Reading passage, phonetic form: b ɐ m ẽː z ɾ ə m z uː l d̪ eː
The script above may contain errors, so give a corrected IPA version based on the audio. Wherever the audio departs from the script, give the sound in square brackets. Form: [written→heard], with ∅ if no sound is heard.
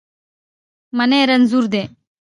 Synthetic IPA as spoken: [b→m] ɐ [m→n] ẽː [z→∅] ɾ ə [m→n] z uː [l→ɾ] d̪ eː